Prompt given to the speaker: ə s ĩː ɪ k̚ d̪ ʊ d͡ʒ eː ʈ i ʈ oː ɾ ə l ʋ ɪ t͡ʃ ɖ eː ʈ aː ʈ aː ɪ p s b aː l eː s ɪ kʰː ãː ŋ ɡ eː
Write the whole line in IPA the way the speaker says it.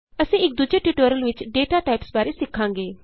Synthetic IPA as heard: ə s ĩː ɪ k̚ d̪ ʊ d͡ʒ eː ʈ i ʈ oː ɾ ə l ʋ ɪ t͡ʃ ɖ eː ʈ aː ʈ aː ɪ p s b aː ɾ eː s ɪ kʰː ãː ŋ ɡ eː